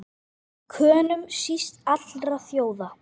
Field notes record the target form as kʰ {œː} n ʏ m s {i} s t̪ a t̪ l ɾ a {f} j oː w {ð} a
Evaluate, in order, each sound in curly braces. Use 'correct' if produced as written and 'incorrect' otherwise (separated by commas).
correct, correct, incorrect, correct